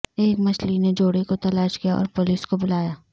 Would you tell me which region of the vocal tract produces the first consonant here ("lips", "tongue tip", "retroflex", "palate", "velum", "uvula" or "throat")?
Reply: velum